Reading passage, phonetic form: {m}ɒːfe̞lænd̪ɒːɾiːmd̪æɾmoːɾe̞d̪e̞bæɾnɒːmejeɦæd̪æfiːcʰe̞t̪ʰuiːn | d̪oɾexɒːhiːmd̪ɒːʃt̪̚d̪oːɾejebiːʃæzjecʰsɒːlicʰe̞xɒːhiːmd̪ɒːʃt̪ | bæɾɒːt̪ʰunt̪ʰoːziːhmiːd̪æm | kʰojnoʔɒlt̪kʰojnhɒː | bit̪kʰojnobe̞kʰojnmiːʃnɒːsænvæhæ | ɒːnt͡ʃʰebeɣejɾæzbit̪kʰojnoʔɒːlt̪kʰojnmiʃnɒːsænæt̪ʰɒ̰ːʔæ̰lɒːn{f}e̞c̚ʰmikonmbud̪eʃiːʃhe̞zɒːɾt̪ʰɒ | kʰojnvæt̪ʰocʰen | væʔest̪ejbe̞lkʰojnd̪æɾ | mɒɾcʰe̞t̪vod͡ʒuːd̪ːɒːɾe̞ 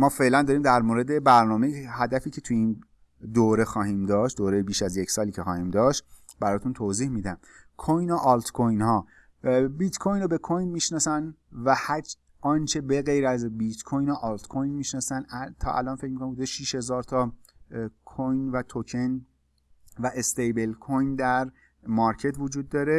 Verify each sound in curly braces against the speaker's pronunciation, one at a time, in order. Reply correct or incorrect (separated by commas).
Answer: correct, correct